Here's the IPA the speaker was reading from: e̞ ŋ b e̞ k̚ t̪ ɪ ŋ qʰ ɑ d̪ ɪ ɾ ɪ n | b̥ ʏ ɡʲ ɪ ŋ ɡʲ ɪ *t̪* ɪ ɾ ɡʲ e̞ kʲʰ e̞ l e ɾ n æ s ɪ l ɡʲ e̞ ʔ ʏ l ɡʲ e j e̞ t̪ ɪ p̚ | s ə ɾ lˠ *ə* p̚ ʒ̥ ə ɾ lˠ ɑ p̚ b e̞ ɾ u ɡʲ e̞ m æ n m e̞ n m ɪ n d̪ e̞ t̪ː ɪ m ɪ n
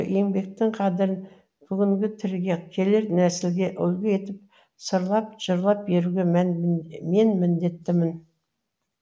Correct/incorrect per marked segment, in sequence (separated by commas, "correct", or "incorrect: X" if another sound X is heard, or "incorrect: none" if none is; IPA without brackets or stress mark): incorrect: t̪ʰ, incorrect: ɑ